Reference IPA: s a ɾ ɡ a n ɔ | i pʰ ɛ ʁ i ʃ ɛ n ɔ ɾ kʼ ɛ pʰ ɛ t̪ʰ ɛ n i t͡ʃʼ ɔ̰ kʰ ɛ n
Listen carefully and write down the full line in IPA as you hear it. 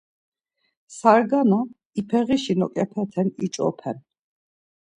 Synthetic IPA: s a ɾ ɡ a n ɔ | i pʰ ɛ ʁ i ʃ i n ɔ kʼ ɛ pʰ ɛ t̪ʰ ɛ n i t͡ʃʼ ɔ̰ pʰ ɛ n